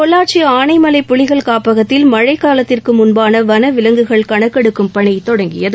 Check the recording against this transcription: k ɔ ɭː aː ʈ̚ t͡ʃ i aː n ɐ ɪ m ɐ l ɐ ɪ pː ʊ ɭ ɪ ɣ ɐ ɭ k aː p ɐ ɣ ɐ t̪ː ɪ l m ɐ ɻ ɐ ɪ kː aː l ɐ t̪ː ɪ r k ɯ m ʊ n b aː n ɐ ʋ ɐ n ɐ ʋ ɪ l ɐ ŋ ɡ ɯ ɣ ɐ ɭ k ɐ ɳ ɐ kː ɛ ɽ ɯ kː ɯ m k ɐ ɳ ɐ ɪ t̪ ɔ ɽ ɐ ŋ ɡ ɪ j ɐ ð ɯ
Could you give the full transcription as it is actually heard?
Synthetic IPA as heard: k ɔ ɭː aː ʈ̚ t͡ʃ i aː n ɐ ɪ m ɐ l ɐ ɪ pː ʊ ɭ ɪ ɣ ɐ ɭ k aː p ɐ ɣ ɐ t̪ː ɪ l m ɐ ɻ ɐ ɪ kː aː l ɐ t̪ː ɪ r k ɯ m ʊ n b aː n ɐ ʋ ɐ n ɐ ʋ ɪ l ɐ ŋ ɡ ɯ ɣ ɐ ɭ k ɐ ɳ ɐ kː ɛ ɽ ɯ kː ɯ m p ɐ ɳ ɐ ɪ t̪ ɔ ɽ ɐ ŋ ɡ ɪ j ɐ ð ɯ